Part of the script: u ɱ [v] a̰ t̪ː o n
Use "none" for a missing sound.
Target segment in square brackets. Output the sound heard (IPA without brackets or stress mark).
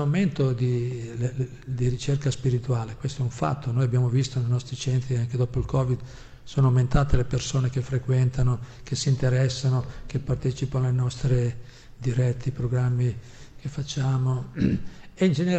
f